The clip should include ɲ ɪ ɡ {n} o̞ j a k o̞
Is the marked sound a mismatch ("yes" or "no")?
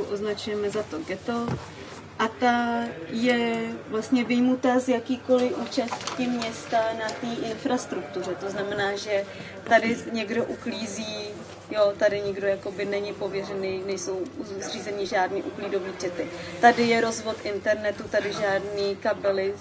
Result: yes